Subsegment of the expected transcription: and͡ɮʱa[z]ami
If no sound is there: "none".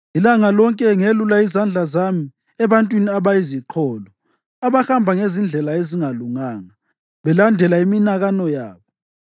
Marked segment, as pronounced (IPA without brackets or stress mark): z